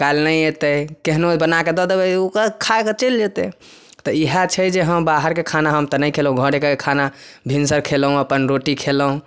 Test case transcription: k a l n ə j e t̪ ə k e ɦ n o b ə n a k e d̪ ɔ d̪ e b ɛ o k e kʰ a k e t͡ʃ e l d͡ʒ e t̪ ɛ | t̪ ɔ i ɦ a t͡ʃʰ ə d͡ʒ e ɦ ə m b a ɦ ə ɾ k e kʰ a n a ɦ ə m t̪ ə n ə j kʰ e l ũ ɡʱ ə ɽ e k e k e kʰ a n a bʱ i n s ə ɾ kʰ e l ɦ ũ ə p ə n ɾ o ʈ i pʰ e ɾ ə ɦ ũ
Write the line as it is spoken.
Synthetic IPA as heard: k a l n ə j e t̪ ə k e ɦ n o b ə n a k e d̪ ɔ d̪ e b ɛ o k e kʰ a k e t͡ʃ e l d͡ʒ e t̪ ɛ | t̪ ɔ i ɦ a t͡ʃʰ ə d͡ʒ e ɦ ə m b a ɦ ə ɾ k e kʰ a n a ɦ ə m t̪ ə n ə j kʰ e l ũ ɡʱ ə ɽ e k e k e kʰ a n a bʱ i n s ə ɾ kʰ e l ɦ ũ ə p ə n ɾ o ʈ i kʰ e l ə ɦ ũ